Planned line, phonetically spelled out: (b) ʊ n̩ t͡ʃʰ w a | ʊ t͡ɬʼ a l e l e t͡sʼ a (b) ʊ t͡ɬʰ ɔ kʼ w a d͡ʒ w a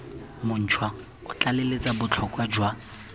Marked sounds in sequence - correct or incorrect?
incorrect: m, correct

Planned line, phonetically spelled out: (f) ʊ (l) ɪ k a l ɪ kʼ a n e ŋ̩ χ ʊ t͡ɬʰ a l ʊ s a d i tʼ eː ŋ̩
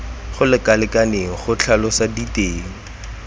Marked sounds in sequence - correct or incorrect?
incorrect: χ, correct

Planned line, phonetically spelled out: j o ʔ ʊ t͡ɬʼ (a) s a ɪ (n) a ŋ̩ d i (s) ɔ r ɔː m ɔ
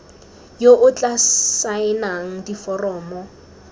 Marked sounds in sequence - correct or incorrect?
correct, correct, incorrect: f

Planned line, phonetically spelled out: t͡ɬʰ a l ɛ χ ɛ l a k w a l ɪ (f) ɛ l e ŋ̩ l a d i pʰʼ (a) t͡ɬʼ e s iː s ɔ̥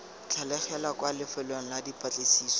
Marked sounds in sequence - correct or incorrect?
correct, correct

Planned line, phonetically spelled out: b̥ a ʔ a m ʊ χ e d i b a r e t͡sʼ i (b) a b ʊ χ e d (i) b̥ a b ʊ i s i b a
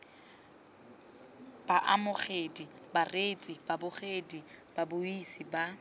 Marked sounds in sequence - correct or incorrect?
correct, correct

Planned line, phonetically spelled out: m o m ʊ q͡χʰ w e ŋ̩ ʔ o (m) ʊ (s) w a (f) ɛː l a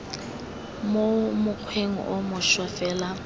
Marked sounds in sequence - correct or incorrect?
correct, incorrect: ʃ, correct

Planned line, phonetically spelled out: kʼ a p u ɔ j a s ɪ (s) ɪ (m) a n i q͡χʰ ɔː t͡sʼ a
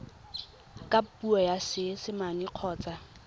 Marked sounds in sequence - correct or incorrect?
correct, correct

